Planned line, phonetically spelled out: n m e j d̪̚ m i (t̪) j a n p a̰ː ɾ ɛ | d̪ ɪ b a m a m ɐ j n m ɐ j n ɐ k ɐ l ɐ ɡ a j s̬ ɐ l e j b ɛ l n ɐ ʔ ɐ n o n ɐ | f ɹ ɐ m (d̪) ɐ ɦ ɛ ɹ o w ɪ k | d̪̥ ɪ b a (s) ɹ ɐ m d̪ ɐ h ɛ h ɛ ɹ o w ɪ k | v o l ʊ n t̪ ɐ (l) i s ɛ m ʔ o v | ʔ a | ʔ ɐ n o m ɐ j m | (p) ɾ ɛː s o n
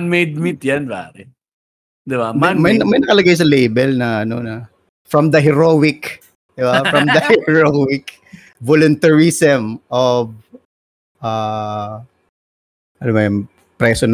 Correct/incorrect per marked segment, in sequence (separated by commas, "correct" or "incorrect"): correct, correct, incorrect, incorrect, correct